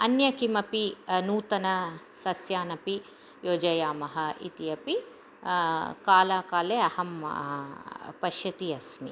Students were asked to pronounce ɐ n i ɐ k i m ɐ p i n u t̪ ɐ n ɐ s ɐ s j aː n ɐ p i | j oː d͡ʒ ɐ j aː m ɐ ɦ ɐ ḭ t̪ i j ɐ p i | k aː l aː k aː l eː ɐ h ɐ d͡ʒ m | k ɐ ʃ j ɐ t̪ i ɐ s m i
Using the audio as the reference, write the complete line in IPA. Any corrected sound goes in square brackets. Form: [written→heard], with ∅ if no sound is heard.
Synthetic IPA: ɐ n [i→j] ɐ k i m ɐ p i n [u→uː] t̪ ɐ n ɐ s ɐ s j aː n ɐ p i | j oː d͡ʒ ɐ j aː m ɐ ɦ ɐ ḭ t̪ i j ɐ p i | k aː l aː k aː l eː ɐ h ɐ [d͡ʒ→∅] m | [k→p] ɐ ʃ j ɐ t̪ i ɐ s m i